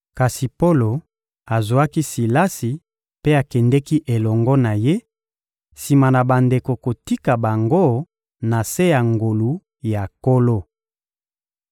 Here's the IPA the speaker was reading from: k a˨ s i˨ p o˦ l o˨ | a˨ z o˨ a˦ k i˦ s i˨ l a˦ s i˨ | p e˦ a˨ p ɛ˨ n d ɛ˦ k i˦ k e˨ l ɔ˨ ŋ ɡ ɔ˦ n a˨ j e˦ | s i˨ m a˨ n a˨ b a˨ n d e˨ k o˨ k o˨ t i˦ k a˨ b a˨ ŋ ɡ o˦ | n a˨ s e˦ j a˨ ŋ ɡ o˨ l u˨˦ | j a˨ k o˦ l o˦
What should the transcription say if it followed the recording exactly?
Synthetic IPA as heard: k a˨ s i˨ p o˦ l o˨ | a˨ z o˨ a˦ k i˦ s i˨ l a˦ s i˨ | p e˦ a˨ k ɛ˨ n d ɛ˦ k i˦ ʔ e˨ l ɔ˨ ŋ ɡ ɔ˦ n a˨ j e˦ | s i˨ m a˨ n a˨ b a˨ n d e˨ k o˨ k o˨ t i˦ k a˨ b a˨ ŋ ɡ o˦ | n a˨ s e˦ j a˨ ŋ ɡ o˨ l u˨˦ | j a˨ k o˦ l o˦

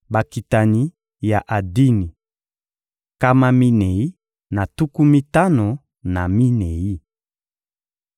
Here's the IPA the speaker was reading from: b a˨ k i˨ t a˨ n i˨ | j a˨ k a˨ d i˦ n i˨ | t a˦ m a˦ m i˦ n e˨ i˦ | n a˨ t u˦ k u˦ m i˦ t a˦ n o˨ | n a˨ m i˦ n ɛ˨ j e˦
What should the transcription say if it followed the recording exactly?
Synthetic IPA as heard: b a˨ k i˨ t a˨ n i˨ | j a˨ ʔ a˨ d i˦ n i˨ | k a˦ m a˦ m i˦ n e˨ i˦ | n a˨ t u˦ k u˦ m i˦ t a˦ n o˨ | n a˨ m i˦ n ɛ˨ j i˦

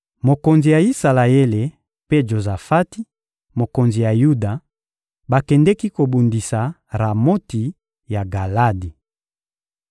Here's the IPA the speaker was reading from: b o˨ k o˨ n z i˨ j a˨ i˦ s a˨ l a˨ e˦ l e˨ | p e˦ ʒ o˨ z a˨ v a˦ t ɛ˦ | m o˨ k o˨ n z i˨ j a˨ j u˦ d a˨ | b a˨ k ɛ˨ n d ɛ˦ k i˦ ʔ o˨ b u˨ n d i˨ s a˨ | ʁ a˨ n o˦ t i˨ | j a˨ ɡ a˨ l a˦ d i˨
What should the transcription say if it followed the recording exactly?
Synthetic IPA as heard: m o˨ k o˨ n z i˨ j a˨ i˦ s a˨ l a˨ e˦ l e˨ | p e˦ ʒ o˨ z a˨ f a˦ t i˦ | m o˨ k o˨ n z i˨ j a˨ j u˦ d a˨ | b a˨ k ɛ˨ n d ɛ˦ k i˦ k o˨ b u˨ n d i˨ s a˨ | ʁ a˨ m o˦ t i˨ | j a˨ ɡ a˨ l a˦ d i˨

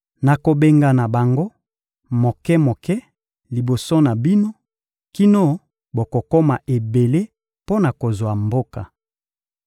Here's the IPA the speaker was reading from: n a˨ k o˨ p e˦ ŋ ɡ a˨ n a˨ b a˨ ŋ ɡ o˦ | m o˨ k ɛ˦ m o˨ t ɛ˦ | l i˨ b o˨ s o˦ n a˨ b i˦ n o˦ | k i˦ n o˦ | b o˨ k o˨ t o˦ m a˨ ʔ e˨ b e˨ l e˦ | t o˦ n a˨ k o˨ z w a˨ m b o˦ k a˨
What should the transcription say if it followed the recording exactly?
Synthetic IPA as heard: n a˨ k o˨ b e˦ ŋ ɡ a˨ n a˨ b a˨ ŋ ɡ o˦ | m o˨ k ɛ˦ m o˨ k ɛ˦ | l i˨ b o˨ s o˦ n a˨ b i˦ n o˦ | k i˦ n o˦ | b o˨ k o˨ k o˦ m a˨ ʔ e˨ b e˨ l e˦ | p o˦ n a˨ k o˨ z w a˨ m b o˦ k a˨

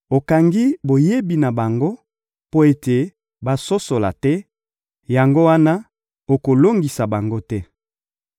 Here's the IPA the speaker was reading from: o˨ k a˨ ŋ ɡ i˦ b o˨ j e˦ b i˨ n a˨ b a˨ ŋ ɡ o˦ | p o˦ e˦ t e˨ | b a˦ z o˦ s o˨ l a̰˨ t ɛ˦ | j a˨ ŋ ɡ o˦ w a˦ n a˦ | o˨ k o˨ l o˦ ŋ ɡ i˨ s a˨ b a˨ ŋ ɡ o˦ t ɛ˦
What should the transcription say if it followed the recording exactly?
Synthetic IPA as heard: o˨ k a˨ ŋ ɡ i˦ b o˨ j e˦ b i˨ n a˨ b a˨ ŋ ɡ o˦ | p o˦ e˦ t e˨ | b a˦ s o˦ s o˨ l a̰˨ t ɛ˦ | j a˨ ŋ ɡ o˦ w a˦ n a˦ | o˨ k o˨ l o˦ ŋ ɡ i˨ s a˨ b a˨ ŋ ɡ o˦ t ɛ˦

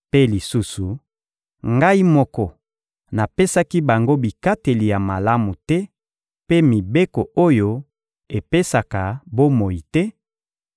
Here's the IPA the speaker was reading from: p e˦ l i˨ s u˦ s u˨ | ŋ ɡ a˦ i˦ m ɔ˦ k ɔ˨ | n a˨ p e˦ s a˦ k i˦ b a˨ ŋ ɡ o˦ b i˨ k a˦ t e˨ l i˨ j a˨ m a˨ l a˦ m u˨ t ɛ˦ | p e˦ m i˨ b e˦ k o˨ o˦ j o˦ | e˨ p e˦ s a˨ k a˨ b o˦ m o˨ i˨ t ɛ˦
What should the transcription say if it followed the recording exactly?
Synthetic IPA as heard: p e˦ l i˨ s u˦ s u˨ | ŋ ɡ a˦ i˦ m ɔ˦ k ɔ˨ | n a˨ p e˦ s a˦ k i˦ b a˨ ŋ ɡ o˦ b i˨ k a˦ t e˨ l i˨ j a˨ m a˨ l a˦ m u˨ t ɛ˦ | p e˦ m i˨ b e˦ k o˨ o˦ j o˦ | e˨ p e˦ s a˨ k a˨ b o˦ m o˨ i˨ t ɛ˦

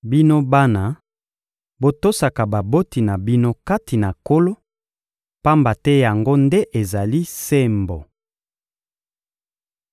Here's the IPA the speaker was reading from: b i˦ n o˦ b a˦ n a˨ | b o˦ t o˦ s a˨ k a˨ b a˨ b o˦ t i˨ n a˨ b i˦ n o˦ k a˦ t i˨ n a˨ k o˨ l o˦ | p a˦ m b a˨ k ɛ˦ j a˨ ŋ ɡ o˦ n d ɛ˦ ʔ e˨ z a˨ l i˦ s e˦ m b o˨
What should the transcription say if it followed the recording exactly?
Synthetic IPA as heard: b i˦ n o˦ b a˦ n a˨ | b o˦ t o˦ s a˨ k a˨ b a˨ b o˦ t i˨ n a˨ b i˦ n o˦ k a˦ t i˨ n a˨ k o˦ l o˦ | p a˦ m b a˨ t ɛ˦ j a˨ ŋ ɡ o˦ n d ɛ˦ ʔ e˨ z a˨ l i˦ s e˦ m b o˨

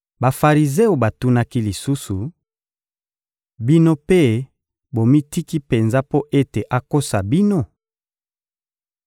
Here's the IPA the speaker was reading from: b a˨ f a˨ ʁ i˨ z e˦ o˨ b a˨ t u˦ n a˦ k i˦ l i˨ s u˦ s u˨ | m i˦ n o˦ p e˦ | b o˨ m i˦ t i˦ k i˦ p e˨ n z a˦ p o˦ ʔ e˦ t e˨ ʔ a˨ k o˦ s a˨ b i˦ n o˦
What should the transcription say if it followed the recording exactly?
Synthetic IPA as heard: b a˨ f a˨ ʁ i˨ z e˦ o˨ b a˨ t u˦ n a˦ k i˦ l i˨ s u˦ s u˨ | b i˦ n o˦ p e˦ | b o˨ m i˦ t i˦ k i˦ p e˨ n z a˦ p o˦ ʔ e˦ t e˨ ʔ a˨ k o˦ s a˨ b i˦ n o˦

